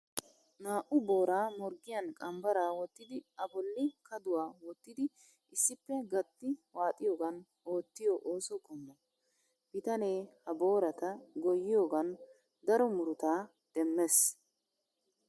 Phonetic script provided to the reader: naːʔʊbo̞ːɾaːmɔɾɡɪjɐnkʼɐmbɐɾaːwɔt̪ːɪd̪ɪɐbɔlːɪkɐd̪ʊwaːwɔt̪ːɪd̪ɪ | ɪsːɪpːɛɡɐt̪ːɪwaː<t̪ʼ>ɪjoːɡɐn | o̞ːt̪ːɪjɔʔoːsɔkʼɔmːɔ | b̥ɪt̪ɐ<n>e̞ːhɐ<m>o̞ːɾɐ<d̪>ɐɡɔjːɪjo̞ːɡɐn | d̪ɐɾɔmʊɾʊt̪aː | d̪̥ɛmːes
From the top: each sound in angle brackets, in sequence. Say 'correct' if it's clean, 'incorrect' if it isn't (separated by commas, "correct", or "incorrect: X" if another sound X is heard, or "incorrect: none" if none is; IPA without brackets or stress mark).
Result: correct, correct, incorrect: b, incorrect: t̪